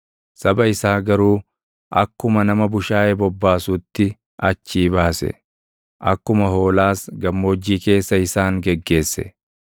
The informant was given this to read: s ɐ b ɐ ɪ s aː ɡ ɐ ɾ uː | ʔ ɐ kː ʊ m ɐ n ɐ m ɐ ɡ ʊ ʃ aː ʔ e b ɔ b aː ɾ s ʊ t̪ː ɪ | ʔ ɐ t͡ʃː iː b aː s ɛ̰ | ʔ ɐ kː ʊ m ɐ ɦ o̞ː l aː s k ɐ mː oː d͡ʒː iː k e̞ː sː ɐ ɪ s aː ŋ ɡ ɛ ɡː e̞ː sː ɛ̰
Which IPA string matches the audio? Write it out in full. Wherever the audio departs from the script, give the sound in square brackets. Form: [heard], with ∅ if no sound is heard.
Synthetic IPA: s ɐ b ɐ ɪ s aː ɡ ɐ ɾ uː | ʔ ɐ kː ʊ m ɐ n ɐ m ɐ [b] ʊ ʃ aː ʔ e b ɔ [bː] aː [∅] s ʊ t̪ː ɪ | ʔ ɐ t͡ʃː iː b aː s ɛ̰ | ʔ ɐ kː ʊ m ɐ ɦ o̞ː l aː s [ɡ] ɐ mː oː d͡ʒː iː k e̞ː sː ɐ ɪ s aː ŋ ɡ ɛ ɡː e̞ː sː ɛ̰